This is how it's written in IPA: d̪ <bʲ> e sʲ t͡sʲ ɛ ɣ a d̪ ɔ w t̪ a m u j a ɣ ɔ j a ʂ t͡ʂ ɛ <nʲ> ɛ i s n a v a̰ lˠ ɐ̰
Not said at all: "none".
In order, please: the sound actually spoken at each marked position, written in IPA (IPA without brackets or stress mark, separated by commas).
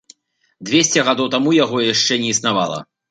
vʲ, nʲ